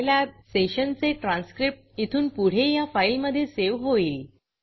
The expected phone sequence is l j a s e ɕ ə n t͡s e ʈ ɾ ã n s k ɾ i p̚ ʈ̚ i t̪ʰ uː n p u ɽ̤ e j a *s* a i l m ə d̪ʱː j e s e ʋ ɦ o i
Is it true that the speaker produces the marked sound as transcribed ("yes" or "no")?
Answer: no